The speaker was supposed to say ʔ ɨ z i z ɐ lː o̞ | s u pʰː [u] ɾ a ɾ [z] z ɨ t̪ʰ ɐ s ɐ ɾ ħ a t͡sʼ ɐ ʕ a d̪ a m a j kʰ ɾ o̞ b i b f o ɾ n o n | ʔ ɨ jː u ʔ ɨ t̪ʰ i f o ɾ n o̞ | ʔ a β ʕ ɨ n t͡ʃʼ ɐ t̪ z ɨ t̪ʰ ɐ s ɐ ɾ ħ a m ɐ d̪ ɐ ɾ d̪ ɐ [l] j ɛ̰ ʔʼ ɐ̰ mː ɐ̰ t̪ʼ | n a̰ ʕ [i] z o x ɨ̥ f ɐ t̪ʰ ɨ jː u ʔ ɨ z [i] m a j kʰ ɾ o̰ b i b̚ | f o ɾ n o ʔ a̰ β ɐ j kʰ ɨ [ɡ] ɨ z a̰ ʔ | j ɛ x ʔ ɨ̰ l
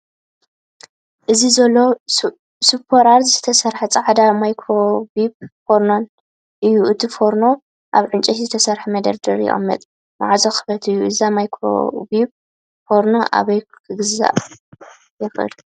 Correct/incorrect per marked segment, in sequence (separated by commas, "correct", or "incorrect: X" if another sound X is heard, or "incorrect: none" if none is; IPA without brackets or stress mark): incorrect: o, correct, incorrect: ɾ, incorrect: a, incorrect: a, correct